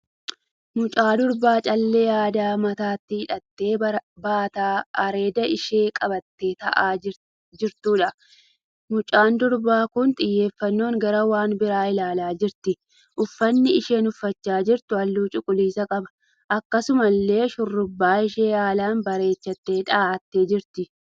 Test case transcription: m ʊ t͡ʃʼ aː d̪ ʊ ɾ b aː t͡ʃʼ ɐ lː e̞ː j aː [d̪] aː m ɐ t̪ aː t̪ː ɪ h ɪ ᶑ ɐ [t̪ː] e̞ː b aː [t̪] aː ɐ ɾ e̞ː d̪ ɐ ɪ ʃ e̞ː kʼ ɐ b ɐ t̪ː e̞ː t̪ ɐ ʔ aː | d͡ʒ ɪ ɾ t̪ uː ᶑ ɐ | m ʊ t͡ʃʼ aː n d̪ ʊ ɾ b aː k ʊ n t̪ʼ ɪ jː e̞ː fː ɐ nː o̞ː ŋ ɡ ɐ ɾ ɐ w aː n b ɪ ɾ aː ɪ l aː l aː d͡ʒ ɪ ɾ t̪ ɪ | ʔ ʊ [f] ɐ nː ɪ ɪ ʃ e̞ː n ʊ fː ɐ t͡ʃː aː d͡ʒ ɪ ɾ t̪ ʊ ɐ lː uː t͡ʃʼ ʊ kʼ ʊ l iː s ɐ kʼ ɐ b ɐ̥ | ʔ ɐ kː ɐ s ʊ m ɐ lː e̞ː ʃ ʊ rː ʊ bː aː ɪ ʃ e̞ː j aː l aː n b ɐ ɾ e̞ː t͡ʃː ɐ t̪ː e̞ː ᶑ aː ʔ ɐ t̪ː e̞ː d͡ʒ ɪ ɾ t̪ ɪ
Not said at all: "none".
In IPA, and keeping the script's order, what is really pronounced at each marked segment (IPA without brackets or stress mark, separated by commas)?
d̪, t̪ː, t̪, fː